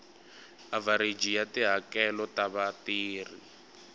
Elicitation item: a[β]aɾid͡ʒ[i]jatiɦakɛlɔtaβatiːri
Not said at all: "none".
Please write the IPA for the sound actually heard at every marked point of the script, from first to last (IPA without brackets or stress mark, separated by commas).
v, i